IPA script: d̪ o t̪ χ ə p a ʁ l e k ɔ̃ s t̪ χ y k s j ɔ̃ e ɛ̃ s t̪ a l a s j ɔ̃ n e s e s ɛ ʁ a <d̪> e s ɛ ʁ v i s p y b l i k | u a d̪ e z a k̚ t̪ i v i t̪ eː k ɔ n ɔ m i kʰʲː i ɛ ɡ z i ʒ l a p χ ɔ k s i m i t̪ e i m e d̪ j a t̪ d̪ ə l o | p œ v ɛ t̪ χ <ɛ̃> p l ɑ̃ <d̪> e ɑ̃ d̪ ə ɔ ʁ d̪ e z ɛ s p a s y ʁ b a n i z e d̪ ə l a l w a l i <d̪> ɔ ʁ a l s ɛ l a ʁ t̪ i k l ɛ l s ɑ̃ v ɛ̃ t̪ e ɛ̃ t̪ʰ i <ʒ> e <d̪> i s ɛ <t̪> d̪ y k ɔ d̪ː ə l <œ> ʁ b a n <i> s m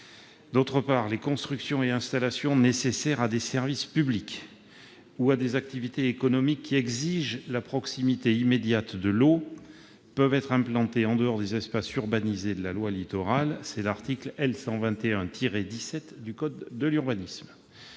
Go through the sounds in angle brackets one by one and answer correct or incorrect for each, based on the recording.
correct, correct, incorrect: t̪, incorrect: t̪, incorrect: ʁ, correct, correct, incorrect: y, correct

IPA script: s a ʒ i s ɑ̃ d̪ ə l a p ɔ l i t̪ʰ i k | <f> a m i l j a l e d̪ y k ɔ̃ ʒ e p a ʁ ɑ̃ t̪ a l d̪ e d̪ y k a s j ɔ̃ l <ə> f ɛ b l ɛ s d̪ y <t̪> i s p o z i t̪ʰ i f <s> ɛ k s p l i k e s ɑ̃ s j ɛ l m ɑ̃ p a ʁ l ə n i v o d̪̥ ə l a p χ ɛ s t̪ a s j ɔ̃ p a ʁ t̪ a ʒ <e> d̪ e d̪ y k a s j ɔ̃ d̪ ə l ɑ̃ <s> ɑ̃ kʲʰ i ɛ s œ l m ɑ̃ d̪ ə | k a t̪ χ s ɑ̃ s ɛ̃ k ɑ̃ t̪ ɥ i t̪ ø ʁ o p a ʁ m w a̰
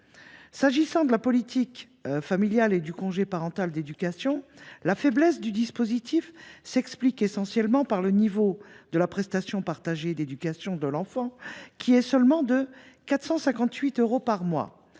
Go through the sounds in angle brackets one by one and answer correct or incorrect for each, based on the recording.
correct, incorrect: a, incorrect: d̪, correct, correct, incorrect: f

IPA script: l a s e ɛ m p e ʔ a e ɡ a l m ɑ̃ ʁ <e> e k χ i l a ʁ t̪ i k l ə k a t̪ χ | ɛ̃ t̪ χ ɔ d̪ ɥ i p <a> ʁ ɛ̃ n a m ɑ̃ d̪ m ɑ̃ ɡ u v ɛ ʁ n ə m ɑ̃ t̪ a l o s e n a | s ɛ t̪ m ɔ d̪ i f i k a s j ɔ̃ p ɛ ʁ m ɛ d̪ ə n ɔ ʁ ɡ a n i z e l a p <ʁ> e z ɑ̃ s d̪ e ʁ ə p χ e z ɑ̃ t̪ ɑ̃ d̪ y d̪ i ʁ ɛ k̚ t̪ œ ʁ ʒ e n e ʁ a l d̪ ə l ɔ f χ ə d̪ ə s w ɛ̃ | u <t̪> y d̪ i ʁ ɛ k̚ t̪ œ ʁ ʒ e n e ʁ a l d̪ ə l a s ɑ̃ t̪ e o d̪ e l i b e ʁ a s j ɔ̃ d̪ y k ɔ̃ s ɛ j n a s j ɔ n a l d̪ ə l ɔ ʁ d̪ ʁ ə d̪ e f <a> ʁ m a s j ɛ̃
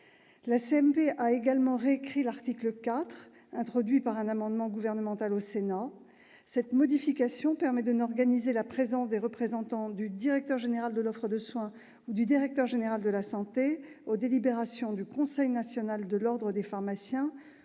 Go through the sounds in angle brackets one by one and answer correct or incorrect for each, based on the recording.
correct, correct, incorrect: χ, incorrect: d̪, correct

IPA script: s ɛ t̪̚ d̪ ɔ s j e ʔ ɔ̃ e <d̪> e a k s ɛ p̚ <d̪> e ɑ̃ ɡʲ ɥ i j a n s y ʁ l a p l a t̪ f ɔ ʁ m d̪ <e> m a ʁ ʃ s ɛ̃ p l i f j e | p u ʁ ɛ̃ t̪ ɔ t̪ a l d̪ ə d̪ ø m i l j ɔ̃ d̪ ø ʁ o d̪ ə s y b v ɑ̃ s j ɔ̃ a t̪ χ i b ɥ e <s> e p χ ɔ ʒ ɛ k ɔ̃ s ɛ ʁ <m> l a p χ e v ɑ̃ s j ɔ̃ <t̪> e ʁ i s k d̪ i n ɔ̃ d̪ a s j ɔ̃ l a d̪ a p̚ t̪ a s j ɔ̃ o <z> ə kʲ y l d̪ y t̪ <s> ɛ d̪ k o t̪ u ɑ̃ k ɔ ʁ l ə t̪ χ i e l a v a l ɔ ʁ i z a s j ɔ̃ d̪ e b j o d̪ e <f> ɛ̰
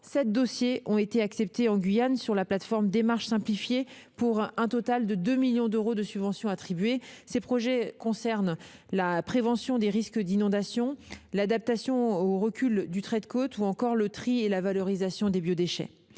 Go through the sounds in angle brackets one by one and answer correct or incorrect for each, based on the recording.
incorrect: t̪, incorrect: t̪, correct, correct, incorrect: n, incorrect: d̪, incorrect: ʁ, incorrect: χ, incorrect: ʃ

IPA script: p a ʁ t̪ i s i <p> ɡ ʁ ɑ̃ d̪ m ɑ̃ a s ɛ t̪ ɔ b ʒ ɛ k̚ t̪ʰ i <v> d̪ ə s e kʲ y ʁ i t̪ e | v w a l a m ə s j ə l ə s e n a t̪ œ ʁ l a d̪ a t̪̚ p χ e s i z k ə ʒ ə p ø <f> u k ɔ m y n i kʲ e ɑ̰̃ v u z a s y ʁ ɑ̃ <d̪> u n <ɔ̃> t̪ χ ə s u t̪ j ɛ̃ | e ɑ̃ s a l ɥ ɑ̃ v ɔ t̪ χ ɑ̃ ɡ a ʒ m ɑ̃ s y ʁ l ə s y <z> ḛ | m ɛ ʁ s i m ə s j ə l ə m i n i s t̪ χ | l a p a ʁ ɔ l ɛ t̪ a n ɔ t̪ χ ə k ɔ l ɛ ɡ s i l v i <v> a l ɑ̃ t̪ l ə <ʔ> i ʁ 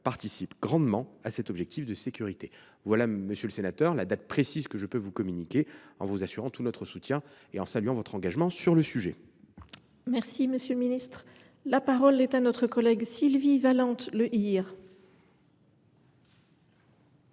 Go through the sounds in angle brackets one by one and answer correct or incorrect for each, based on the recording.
correct, incorrect: f, incorrect: v, incorrect: t̪, incorrect: ɔ, incorrect: ʒ, correct, correct

